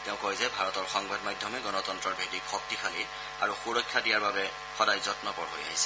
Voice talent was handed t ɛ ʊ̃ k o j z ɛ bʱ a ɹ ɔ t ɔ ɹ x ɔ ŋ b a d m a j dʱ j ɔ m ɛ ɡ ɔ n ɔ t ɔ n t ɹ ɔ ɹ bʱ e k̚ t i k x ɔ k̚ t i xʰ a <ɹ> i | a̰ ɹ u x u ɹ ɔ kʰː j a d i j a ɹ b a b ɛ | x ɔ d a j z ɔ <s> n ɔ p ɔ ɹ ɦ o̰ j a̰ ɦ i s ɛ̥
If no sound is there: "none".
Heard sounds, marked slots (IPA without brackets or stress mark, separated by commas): l, t